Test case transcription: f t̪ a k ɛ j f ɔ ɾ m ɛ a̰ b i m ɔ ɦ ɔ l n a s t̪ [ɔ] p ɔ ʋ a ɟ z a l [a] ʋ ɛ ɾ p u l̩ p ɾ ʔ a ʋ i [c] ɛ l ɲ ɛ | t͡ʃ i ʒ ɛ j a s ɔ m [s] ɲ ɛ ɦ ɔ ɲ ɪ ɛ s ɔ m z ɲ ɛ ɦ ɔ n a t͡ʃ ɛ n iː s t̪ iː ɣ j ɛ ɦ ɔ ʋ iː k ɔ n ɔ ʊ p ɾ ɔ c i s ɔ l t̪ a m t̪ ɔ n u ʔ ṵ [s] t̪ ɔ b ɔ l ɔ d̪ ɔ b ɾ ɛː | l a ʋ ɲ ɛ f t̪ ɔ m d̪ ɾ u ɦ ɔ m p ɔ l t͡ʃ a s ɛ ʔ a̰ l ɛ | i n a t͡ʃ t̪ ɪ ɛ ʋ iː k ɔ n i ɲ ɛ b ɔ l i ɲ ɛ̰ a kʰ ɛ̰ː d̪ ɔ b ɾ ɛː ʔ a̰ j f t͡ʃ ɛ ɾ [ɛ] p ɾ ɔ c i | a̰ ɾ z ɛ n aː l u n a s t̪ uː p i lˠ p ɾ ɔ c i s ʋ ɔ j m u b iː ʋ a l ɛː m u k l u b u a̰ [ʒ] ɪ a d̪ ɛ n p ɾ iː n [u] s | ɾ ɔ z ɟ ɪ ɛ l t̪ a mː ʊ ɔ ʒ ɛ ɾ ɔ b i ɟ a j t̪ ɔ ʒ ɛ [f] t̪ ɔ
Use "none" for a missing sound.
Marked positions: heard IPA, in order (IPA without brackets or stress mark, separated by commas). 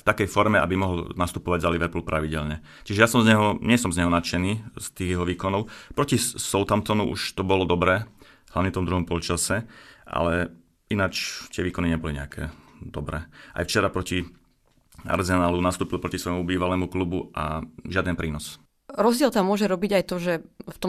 u, i, ɟ, z, ʃ, a, ʒ, ɔ, f